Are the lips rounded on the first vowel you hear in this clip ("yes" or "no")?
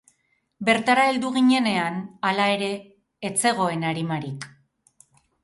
no